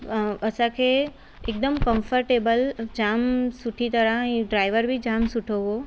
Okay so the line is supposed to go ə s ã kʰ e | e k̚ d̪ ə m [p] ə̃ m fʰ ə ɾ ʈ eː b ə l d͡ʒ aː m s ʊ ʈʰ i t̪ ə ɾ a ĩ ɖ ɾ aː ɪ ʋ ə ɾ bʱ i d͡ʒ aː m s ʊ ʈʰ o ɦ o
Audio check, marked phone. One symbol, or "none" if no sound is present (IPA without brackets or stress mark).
k